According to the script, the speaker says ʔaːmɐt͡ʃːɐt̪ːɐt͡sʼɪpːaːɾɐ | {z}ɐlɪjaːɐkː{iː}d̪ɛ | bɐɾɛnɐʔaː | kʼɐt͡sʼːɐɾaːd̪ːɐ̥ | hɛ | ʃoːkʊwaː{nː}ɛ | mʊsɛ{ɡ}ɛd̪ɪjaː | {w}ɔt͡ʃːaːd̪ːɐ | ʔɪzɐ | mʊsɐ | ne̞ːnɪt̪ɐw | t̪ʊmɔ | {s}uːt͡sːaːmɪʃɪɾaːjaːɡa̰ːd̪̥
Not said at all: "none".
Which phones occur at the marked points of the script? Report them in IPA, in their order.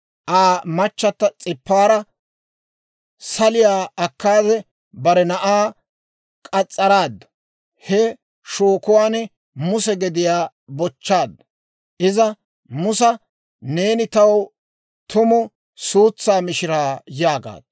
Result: s, aː, n, ɡ, b, s

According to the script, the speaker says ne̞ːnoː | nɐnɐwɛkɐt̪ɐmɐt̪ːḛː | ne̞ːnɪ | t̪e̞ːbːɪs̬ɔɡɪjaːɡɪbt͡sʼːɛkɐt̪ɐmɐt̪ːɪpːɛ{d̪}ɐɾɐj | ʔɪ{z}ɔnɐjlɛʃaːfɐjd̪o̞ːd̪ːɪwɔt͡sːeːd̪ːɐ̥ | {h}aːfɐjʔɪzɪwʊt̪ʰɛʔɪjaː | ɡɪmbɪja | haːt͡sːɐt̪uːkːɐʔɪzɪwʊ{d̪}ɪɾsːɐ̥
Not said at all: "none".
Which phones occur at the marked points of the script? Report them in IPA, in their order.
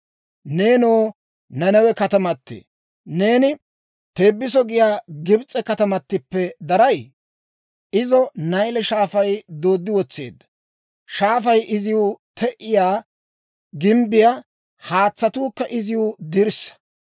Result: d̪, z, ʃ, d̪

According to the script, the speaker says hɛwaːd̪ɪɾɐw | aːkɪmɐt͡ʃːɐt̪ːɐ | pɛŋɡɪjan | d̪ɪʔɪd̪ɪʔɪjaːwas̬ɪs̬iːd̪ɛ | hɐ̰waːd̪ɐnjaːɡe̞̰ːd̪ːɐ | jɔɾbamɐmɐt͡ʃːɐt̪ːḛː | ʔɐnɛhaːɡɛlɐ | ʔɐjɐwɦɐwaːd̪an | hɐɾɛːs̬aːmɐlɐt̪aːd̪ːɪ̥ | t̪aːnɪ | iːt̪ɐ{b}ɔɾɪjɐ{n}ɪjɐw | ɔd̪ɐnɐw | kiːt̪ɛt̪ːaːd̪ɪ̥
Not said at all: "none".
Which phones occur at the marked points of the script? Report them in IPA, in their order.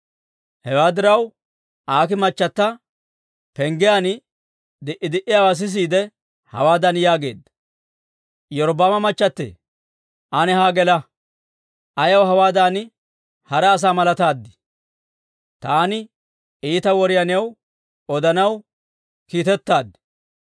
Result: w, n

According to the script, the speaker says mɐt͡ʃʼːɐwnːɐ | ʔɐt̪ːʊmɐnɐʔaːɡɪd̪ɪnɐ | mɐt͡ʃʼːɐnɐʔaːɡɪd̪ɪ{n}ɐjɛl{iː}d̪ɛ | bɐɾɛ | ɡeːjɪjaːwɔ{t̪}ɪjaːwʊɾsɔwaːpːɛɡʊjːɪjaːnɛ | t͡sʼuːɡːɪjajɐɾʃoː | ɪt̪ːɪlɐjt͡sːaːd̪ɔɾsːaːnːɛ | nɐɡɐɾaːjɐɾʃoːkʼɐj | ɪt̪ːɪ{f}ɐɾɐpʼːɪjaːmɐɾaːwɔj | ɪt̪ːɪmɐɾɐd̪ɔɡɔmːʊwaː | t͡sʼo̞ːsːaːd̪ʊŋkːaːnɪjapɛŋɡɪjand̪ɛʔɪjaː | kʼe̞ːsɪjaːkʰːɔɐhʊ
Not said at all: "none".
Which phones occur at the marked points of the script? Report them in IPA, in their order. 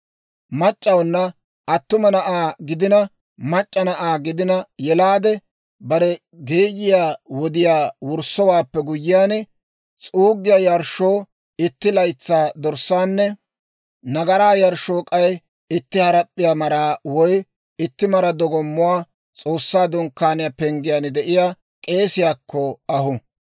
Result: n, aː, d̪, h

